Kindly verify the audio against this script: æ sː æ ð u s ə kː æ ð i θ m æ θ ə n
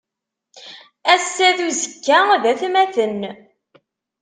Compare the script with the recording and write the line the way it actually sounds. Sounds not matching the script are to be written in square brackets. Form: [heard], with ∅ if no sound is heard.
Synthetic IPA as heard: æ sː æ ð u [z] ə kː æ ð [æ] θ m æ θ ə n